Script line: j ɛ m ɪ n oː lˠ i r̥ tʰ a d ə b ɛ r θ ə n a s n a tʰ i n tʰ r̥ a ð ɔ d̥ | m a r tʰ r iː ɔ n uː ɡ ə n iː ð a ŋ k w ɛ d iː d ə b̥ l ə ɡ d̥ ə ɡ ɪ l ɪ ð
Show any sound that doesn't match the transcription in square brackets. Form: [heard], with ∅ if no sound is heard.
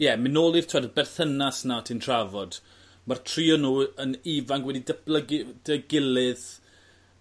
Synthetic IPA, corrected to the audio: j ɛ m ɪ n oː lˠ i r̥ tʰ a d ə b ɛ r θ ə n a s n a tʰ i n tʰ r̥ a [v] ɔ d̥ | m a r tʰ r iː ɔ n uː [∅] ə n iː [v] a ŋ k w ɛ d [i] d ə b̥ l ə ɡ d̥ ə ɡ ɪ l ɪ ð